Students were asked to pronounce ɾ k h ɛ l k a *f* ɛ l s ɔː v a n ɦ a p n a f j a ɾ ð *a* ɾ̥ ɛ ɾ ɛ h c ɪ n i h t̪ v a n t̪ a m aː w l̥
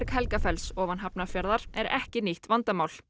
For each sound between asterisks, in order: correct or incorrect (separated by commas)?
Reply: correct, correct